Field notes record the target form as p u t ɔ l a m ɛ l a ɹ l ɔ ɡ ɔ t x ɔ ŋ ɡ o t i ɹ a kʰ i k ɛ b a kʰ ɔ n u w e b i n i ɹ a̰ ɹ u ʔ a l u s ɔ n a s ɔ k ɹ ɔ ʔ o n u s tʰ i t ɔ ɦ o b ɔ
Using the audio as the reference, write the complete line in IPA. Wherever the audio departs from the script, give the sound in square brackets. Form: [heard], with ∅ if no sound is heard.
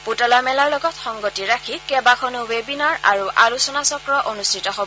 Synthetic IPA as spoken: p u t ɔ l a m ɛ l a ɹ l ɔ ɡ ɔ t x ɔ ŋ ɡ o t i ɹ a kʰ i k ɛ b a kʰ ɔ n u w e b i n [a] ɹ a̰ ɹ u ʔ a l u s ɔ n a s ɔ k ɹ ɔ ʔ o n u s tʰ i t ɔ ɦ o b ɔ